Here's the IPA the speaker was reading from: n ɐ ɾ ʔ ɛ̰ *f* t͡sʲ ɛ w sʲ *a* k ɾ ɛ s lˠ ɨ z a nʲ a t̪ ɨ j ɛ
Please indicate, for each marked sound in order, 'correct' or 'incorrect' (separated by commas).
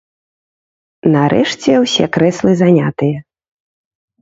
incorrect, incorrect